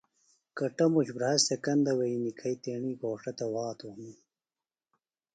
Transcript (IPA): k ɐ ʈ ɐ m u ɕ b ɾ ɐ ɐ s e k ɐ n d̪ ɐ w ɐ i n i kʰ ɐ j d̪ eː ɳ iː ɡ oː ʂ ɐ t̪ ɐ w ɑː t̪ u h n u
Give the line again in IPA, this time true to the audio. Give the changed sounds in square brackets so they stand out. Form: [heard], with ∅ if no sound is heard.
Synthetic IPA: k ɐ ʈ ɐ m u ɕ b ɾ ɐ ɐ s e k ɐ n d̪ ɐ w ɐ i n i kʰ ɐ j [t̪] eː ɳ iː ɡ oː ʂ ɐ t̪ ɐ w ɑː t̪ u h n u